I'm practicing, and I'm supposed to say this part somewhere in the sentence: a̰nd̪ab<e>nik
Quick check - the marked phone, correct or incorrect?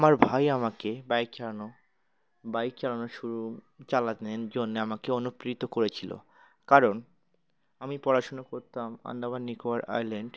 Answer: incorrect